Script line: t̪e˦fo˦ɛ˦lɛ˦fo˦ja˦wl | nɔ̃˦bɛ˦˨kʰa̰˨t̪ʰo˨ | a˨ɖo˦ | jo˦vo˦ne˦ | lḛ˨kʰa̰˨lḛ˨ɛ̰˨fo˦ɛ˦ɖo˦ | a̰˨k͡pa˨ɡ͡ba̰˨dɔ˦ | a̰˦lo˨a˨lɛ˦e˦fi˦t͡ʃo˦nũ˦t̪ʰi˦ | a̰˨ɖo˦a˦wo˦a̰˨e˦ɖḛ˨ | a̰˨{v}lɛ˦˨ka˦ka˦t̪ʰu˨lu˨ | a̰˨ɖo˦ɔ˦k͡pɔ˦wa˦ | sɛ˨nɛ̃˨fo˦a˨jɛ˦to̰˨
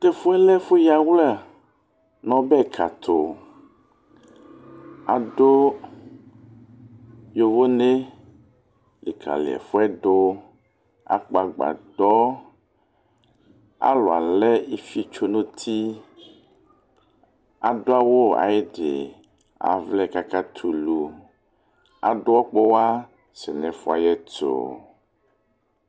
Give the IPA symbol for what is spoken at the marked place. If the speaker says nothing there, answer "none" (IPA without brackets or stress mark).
v